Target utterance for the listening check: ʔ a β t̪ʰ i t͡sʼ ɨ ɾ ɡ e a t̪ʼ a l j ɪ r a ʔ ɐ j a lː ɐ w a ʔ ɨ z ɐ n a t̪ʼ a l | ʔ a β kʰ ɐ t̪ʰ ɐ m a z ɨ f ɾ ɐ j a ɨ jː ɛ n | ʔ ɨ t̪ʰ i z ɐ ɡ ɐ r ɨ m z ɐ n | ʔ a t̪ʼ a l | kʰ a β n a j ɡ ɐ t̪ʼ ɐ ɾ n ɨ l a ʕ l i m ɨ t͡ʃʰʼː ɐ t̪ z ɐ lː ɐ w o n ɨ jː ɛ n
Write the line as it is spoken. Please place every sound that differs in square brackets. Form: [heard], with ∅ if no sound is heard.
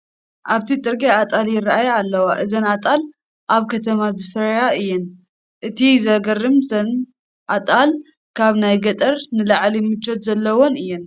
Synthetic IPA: ʔ a β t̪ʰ i t͡sʼ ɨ ɾ ɡ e a t̪ʼ a l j ɪ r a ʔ [a] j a lː ɐ w a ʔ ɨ z ɐ n a t̪ʼ a l | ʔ a β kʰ ɐ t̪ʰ ɐ m a z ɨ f ɾ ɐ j a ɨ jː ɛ n | ʔ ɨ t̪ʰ i z ɐ ɡ ɐ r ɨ m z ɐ n | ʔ a t̪ʼ a l | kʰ a β n a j ɡ ɐ t̪ʼ ɐ ɾ n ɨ l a ʕ l i m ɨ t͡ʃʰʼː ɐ t̪ z ɐ lː ɐ w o n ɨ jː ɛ n